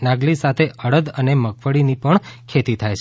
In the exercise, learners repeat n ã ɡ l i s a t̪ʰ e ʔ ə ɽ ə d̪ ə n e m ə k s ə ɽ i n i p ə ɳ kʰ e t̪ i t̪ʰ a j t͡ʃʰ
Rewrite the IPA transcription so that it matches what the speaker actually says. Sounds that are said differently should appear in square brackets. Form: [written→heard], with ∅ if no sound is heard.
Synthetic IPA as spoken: n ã ɡ l i s a t̪ʰ e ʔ ə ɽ ə d̪ ə n e m ə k [s→f] ə ɽ i n i p ə ɳ kʰ e t̪ i t̪ʰ a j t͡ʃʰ